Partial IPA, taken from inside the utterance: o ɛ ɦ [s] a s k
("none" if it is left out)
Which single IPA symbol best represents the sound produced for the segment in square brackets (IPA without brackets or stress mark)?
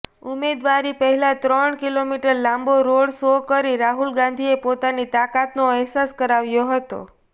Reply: s